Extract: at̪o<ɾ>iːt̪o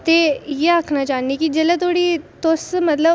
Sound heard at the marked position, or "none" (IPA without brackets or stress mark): ɽ